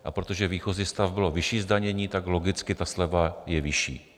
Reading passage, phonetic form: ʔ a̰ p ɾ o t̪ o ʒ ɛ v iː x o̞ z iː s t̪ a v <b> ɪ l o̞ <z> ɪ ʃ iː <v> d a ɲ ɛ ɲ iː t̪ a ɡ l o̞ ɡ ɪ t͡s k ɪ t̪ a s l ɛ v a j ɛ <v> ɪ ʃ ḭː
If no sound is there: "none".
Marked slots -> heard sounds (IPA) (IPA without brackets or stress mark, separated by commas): b, v, z, v